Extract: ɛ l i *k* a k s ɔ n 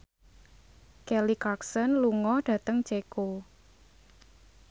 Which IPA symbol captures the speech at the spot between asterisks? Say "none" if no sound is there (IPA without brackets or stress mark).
k